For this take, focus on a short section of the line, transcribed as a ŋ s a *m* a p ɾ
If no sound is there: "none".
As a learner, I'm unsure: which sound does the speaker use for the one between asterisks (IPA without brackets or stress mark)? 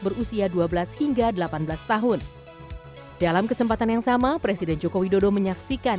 m